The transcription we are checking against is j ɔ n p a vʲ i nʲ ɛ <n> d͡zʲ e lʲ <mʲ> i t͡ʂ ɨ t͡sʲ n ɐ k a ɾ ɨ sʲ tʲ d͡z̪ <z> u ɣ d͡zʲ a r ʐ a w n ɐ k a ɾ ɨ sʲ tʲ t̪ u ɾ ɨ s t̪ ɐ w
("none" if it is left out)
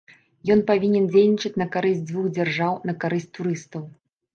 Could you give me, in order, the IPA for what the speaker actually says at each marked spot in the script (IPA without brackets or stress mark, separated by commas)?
n, nʲ, v